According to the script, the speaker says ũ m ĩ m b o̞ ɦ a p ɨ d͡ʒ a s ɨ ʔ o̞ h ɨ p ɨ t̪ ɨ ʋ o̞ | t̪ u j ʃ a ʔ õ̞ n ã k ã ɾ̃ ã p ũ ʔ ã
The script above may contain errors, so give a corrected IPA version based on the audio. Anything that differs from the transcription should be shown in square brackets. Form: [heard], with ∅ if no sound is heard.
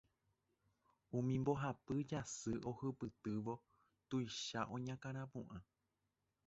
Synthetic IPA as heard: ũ m ĩ m b o̞ ɦ a p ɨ d͡ʒ a s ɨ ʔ o̞ h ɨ p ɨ t̪ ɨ ʋ o̞ | t̪ u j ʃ a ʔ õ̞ [ɲ] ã k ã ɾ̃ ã p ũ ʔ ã